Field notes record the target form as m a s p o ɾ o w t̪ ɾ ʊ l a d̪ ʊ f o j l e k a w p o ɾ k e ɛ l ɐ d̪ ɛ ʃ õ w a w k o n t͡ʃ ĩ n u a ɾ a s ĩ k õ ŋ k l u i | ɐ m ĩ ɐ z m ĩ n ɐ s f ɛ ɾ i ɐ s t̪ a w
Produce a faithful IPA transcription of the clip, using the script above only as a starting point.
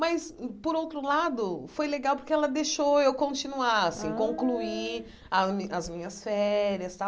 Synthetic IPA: m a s p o ɾ o w t̪ ɾ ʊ l a d̪ ʊ f o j l e ɡ a w p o ɾ k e ɛ l ɐ d̪ e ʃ o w e w k õ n t͡ʃ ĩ n u a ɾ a s ĩ k õ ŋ k l u i | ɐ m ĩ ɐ z m ĩ ɲ ɐ s f ɛ ɾ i ɐ s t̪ a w